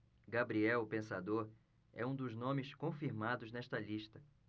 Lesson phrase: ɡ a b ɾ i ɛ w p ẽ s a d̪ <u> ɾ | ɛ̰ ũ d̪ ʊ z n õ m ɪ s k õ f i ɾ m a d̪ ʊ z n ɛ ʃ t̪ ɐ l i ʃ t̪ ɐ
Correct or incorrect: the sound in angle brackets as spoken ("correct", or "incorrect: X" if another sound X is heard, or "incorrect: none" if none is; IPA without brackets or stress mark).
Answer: incorrect: o